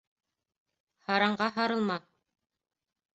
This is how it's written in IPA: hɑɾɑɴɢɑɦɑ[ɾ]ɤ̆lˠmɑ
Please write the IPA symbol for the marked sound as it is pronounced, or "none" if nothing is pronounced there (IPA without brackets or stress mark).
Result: ɾ